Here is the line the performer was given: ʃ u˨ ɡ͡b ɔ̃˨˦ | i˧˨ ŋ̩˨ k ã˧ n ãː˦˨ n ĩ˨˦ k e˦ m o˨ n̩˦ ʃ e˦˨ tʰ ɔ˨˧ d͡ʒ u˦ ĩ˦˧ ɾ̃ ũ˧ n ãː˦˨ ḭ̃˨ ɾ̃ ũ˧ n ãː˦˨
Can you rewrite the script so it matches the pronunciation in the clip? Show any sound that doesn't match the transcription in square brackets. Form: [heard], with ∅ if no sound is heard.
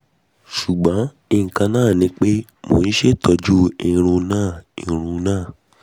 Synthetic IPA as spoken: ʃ u˨ ɡ͡b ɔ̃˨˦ | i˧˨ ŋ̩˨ k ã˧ n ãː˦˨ n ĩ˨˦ [k͡p] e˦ m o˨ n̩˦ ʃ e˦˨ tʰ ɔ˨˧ d͡ʒ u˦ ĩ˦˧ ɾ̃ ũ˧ n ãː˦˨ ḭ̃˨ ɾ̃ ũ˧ n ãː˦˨